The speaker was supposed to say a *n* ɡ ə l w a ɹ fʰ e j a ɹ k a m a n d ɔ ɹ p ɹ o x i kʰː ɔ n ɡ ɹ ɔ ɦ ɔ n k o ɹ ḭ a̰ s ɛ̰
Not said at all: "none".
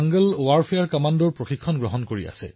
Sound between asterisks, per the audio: ŋ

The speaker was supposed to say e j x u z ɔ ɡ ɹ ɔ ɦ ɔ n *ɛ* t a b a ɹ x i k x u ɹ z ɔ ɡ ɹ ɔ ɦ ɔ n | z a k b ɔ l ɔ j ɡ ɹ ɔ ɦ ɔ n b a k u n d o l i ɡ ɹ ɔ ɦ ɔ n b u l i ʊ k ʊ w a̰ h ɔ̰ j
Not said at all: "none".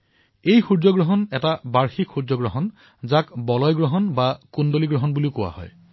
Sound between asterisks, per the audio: ɛ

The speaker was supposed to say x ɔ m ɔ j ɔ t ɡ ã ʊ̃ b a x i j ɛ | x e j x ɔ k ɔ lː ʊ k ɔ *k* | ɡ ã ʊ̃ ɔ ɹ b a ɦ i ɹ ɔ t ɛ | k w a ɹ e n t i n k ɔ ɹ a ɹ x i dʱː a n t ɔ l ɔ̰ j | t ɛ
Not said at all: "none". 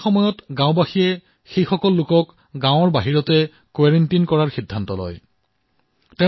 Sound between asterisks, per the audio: k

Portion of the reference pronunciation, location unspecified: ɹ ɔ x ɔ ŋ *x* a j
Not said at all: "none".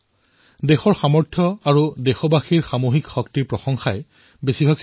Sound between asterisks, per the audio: x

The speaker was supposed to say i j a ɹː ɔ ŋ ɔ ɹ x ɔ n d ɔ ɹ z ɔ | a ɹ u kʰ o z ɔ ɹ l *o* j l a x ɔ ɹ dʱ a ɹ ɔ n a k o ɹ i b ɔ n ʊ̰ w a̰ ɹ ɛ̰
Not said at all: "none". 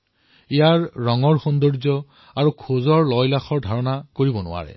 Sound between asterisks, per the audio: ɔ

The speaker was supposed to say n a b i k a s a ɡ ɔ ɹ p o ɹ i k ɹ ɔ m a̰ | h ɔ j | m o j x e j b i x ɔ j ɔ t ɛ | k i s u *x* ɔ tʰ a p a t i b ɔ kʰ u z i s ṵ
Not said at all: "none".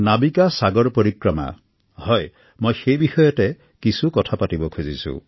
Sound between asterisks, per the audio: k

